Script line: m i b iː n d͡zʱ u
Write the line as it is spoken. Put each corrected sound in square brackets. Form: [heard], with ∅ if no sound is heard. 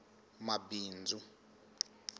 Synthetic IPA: m [a] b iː n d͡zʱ u